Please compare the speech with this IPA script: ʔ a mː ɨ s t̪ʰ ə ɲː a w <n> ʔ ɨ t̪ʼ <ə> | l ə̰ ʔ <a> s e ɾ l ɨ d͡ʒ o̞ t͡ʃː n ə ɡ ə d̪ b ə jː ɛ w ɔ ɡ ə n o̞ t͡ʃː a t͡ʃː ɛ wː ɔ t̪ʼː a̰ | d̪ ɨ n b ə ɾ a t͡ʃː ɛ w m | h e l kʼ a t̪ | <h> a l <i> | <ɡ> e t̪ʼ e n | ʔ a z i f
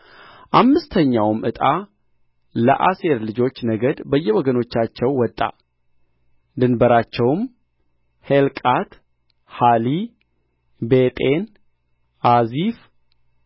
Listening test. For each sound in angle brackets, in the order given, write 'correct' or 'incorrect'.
incorrect: m, incorrect: a, correct, correct, correct, incorrect: b

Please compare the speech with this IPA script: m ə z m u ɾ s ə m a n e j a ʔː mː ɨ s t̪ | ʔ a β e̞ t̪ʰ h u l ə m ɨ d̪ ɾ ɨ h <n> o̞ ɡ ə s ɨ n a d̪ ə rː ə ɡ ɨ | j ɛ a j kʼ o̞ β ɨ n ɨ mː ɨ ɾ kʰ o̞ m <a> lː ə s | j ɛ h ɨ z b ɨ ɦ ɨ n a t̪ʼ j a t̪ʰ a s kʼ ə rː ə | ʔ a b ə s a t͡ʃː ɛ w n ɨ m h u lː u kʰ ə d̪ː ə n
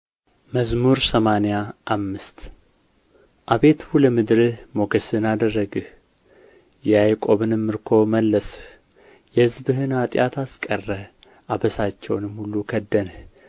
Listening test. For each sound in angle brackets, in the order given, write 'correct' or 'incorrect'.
incorrect: m, incorrect: ə

